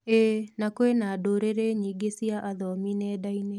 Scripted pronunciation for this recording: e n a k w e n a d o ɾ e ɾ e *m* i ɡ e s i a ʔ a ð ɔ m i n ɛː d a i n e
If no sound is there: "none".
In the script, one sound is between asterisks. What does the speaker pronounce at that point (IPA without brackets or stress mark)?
ɲ